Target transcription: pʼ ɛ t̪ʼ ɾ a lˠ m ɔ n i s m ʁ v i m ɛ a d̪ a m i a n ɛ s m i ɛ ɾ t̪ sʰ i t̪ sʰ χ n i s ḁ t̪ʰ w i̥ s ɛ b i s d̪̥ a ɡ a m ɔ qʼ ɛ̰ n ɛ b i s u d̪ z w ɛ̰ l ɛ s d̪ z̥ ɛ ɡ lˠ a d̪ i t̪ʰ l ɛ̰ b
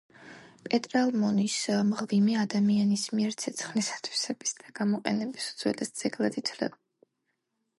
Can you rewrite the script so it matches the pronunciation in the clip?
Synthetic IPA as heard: pʼ ɛ t̪ʼ ɾ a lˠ m ɔ n i s m ʁ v i m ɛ a d̪ a m i a n i s m i ɛ ɾ t̪ sʰ ɛ t̪ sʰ χ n i s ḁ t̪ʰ w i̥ s ɛ b i s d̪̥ a ɡ a m ɔ qʼ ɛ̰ n ɛ b i s u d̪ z w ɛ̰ l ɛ s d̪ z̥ ɛ ɡ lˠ a d̪ i t̪ʰ l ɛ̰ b